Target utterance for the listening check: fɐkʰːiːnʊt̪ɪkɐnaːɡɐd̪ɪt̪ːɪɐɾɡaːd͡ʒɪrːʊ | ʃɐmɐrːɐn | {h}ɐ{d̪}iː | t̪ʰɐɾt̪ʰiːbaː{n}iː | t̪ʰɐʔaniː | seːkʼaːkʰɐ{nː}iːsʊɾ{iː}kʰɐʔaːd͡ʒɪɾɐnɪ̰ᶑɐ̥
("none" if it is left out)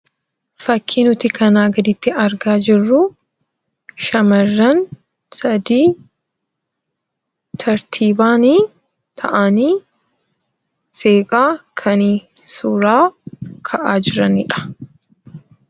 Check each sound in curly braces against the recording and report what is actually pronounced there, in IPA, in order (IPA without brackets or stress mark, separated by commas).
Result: s, d̪, n, n, aː